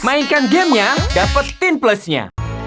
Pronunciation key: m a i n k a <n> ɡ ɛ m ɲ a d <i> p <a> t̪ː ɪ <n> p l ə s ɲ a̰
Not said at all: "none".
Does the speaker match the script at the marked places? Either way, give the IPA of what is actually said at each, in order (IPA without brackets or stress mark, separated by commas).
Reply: n, a, ə, n